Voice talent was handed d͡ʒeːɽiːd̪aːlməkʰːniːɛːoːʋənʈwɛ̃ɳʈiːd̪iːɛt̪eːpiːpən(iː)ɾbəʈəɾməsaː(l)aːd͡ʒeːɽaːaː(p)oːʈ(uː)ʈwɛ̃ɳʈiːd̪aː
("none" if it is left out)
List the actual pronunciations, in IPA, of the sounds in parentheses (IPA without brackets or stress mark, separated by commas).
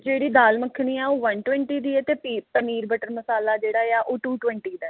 iː, l, ʔ, uː